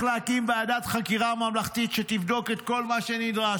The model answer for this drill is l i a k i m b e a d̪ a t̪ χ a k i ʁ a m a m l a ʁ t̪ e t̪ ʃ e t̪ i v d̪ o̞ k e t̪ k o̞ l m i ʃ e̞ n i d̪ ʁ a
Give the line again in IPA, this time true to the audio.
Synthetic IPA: l e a k i m b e a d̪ a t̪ χ a k i ʁ a m a m l a χ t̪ i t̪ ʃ e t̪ i v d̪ o̞ k e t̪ k o̞ l m a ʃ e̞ n i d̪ ʁ a

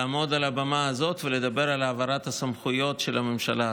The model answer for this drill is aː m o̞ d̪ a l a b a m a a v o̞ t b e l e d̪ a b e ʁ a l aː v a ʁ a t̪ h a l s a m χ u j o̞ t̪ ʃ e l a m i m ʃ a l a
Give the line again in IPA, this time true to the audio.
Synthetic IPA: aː m o̞ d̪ a l a b a m a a z o̞ t v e l e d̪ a b e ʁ a l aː v a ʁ a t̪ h a s a m χ u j o̞ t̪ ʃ e l a m e m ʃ a l a

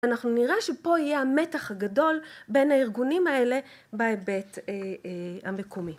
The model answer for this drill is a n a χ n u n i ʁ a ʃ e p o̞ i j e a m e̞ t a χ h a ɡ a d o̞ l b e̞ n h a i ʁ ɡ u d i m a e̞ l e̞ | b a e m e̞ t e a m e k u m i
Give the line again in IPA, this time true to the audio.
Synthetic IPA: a n a χ n u n i ʁ a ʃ e p o̞ i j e a m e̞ t a χ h a ɡ a d o̞ l b e̞ n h a i ʁ ɡ u n i m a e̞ l e̞ | b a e b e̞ t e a m e k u m i

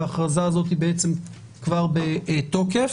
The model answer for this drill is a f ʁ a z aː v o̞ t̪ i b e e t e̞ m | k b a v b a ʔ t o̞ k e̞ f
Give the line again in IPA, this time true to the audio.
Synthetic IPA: a χ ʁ a z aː z o̞ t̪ i b e e t͡s e̞ m | k v a ʁ b e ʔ t o̞ k e̞ f

